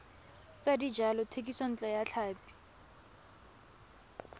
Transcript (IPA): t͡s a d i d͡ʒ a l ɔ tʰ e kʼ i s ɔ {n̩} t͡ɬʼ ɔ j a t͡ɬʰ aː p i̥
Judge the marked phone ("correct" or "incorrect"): correct